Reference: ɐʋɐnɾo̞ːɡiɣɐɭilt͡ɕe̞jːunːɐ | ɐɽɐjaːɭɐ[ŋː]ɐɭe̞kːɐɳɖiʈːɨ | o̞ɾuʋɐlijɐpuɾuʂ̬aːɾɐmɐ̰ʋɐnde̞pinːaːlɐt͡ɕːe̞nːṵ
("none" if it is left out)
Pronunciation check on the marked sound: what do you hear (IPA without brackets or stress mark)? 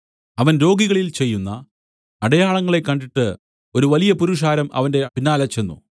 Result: ŋː